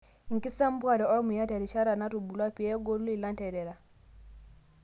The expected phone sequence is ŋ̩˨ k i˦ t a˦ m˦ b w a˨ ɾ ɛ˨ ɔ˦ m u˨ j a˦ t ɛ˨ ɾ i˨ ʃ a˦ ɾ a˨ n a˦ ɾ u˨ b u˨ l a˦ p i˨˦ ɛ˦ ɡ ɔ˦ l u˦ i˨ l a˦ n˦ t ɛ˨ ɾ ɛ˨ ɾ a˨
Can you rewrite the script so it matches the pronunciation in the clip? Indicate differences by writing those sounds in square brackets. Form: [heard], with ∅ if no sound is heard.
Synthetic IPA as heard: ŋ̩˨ k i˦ [s] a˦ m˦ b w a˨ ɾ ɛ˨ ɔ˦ m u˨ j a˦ t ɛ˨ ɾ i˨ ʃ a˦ ɾ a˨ n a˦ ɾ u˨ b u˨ l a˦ p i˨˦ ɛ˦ ɡ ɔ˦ l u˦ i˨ l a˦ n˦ t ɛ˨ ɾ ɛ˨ ɾ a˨